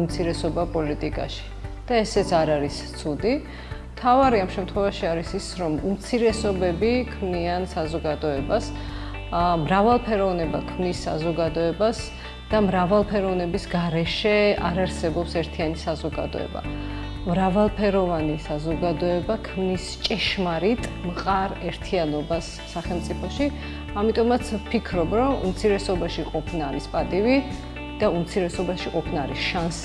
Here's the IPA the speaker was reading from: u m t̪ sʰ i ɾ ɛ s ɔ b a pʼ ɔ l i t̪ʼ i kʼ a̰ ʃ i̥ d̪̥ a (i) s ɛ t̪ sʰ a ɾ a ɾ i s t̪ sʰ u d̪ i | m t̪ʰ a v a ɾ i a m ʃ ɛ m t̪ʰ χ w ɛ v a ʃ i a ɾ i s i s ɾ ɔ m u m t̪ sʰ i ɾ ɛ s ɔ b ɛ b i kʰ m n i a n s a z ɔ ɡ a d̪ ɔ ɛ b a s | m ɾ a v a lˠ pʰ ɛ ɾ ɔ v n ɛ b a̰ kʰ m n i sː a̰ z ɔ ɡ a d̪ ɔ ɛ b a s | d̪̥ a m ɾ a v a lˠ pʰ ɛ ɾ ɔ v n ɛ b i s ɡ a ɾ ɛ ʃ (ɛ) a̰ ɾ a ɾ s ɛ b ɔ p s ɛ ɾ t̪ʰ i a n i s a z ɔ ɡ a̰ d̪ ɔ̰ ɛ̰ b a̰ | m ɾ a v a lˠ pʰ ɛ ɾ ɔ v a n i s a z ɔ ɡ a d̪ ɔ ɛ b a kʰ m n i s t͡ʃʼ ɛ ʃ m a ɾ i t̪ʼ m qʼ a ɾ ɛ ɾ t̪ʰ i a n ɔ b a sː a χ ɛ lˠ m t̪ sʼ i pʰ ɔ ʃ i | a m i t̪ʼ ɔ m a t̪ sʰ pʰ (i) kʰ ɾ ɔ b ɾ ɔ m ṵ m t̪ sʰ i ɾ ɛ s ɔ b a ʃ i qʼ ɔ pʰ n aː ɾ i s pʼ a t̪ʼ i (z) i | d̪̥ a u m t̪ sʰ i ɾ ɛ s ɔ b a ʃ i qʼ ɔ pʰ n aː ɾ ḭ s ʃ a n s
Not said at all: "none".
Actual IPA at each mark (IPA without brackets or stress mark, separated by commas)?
ɛ, ɛ, i, v